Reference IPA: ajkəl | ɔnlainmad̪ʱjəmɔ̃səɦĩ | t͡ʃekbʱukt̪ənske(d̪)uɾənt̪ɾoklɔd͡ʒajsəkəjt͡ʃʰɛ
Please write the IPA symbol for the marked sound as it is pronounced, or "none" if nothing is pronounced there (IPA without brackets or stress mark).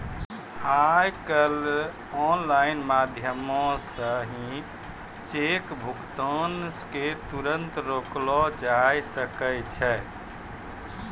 t̪